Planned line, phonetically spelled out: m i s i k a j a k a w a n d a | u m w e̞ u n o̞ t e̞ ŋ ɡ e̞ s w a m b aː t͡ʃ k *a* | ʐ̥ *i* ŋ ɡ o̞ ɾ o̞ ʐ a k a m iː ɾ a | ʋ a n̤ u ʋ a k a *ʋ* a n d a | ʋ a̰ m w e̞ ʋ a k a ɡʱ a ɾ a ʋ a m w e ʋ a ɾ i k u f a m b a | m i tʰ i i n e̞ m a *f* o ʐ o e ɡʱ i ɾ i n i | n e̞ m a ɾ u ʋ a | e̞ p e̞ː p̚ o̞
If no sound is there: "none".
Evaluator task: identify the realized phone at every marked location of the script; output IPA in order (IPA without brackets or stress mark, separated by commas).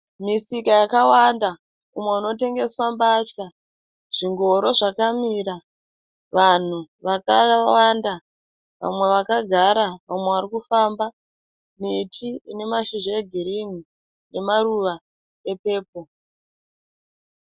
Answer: a, i, w, ʃ